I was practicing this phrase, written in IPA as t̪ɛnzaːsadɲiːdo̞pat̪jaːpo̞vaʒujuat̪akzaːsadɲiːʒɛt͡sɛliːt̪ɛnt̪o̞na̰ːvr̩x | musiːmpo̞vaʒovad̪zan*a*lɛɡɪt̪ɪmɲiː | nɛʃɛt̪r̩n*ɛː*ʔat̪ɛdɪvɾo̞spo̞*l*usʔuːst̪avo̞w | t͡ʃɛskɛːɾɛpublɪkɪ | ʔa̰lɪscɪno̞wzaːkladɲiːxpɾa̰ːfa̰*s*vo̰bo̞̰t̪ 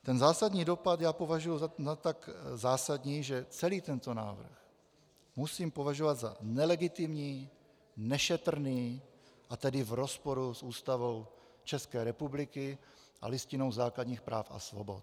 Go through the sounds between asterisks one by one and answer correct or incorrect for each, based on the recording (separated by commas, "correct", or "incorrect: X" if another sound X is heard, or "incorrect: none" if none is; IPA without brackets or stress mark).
incorrect: ɛ, incorrect: iː, incorrect: ɾ, correct